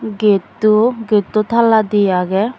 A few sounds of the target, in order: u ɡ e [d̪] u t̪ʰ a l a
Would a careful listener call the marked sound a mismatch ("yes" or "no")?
yes